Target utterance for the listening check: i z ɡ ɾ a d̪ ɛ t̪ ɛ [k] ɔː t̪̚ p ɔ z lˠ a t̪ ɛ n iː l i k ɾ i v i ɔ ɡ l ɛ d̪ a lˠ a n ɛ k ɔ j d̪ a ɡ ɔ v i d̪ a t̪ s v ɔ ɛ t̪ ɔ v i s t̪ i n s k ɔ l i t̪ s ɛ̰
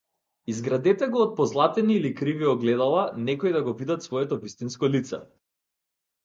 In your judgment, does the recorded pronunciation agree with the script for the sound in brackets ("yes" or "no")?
no